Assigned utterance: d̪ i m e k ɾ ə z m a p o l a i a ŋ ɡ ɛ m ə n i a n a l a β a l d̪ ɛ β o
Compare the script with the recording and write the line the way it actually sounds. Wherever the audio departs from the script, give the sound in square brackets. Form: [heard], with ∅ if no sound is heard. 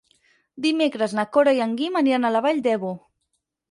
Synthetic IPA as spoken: d̪ i m e k ɾ ə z [n] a [k] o [ɾ] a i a ŋ ɡ [i] m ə n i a n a l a β a [ʎ] d̪ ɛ β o